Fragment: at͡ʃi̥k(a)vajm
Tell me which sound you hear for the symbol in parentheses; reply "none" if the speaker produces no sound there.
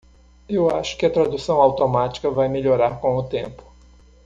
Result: ɐ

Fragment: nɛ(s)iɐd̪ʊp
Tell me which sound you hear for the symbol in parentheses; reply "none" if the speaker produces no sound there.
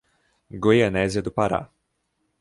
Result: z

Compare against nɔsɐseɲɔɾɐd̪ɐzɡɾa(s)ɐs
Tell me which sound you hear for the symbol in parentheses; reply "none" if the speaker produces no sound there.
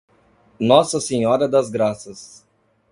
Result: s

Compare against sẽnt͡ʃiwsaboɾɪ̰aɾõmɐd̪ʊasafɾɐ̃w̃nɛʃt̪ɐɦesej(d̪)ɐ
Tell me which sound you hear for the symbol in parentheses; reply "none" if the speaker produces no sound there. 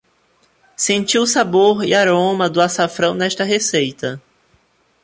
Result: t̪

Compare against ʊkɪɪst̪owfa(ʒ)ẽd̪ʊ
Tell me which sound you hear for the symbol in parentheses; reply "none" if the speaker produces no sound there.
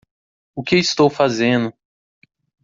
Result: z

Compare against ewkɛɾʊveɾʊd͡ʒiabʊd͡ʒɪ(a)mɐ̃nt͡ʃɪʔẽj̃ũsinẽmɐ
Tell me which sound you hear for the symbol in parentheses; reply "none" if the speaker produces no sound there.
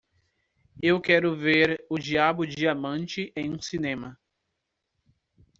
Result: a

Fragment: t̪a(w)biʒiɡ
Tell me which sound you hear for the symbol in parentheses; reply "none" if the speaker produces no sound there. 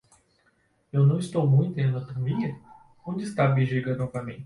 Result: none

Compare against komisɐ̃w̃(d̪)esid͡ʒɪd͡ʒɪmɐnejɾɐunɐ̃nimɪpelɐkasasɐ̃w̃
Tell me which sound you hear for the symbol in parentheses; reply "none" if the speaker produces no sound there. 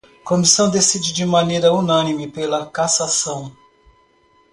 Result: d̪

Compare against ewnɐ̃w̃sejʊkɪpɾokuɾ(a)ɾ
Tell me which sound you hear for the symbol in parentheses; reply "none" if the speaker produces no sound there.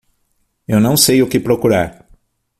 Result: a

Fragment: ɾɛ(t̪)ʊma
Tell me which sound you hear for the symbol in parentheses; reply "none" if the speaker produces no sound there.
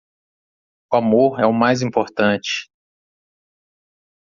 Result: none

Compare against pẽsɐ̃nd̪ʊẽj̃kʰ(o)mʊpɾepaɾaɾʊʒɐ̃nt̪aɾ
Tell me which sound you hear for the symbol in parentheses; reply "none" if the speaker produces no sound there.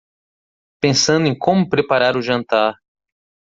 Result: õ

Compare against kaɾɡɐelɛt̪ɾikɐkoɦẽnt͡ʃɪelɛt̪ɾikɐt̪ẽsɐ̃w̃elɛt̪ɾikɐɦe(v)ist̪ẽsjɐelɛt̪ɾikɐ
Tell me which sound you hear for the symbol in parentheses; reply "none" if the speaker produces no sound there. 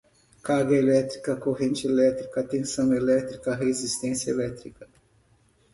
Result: z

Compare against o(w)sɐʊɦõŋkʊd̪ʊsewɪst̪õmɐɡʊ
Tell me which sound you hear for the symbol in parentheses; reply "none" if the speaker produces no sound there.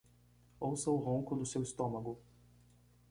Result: w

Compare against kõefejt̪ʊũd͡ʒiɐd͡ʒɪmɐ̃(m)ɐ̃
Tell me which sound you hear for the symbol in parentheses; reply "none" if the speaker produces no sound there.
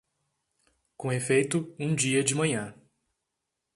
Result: ɲ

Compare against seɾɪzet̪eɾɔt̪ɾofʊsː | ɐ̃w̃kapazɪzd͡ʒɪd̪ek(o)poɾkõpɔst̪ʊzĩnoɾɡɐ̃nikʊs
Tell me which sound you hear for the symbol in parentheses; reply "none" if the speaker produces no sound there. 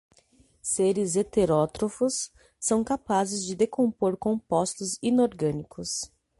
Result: õ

